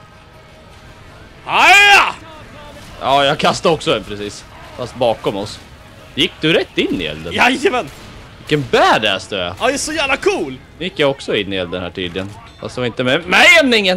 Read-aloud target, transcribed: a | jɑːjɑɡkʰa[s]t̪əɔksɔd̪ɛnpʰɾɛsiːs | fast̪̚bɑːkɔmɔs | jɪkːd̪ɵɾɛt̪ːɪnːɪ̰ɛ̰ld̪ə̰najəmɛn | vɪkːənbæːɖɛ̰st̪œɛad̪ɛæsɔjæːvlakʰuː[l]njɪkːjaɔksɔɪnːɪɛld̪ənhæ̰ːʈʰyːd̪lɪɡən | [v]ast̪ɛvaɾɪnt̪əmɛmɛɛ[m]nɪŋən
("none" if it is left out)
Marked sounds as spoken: s, l, f, m

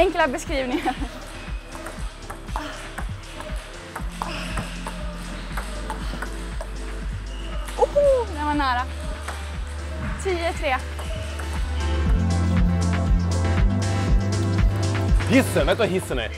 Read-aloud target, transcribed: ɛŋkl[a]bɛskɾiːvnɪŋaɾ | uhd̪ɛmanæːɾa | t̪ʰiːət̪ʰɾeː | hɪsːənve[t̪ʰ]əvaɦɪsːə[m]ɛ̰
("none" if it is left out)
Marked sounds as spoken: a, t̪, n

